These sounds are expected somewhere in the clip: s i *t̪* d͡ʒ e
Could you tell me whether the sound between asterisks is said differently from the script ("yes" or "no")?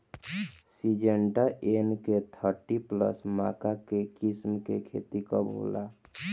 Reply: yes